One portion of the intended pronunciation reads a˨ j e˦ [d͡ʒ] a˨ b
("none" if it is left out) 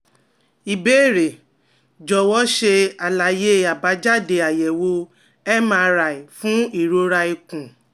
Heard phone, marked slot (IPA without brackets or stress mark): none